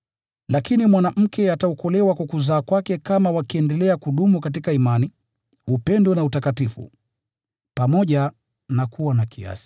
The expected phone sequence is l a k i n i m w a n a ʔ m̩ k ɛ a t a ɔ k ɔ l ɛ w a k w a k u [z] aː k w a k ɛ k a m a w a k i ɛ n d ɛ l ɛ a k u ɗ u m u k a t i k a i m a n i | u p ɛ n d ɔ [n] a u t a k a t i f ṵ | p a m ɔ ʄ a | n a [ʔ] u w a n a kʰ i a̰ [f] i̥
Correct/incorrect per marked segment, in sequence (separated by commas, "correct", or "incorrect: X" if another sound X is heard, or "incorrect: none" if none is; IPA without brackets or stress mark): correct, correct, incorrect: k, incorrect: s